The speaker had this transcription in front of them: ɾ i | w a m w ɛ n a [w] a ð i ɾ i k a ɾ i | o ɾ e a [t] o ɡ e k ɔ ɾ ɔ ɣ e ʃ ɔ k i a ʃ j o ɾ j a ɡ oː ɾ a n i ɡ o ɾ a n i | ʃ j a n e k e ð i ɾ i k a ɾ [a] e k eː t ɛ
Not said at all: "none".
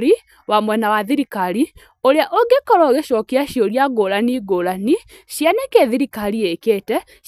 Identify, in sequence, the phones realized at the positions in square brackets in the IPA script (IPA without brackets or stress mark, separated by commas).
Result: w, ʔ, i